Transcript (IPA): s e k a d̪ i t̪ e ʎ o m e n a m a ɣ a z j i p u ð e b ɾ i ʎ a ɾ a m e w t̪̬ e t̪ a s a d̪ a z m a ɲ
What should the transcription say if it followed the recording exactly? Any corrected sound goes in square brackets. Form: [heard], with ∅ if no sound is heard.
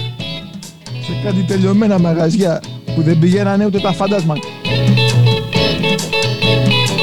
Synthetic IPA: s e k a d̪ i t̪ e ʎ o m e n a m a ɣ a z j [a] p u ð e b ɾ i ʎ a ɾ a [n] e w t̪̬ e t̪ a [f] a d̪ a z m a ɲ